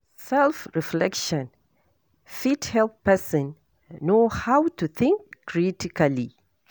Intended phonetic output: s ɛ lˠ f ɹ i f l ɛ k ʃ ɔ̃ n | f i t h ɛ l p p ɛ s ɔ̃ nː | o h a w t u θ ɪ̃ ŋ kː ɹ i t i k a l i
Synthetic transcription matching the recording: s ɛ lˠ f ɹ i f l ɛ k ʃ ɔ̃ n | f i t h ɛ l p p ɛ s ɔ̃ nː | o h a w t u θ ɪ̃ ŋ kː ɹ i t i k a l i